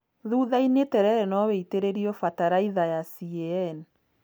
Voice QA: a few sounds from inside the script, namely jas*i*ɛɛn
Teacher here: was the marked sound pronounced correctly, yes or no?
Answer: yes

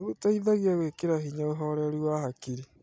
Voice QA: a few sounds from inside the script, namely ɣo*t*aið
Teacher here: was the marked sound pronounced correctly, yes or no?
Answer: yes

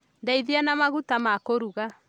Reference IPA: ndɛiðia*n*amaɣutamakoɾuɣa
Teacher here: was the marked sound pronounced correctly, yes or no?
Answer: yes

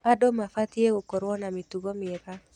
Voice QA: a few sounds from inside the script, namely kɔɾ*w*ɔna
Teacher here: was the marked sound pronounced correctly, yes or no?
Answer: yes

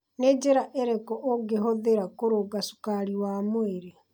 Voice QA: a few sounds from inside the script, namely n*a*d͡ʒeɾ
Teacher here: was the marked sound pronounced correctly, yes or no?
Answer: no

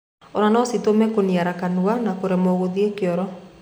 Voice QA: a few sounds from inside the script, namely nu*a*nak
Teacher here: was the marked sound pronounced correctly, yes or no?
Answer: yes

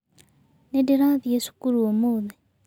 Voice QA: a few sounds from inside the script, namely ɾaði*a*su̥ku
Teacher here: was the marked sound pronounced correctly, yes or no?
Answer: no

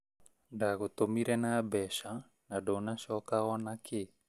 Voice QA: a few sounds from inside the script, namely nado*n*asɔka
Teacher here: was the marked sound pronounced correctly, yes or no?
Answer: yes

